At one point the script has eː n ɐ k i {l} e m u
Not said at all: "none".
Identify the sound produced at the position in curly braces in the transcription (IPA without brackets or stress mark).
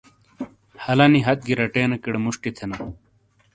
ɽ